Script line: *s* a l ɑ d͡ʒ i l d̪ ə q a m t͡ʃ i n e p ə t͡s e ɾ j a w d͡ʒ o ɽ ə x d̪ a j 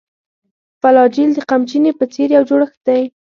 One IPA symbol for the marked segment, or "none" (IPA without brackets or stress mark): f